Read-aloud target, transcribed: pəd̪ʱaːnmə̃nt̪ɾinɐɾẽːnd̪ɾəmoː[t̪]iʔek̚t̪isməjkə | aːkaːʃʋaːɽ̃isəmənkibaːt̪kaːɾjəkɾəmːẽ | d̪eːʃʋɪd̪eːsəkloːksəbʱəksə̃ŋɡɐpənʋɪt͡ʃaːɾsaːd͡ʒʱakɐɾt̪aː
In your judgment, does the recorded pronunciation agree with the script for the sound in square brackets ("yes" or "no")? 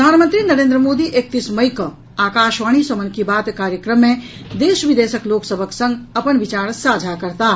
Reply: no